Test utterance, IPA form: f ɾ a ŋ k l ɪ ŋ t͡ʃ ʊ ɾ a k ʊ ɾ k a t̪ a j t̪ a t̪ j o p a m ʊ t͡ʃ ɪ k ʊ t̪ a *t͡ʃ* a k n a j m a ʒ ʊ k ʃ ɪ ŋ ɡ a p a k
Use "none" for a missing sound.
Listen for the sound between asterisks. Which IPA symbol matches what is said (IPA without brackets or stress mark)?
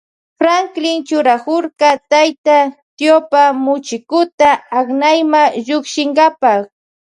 none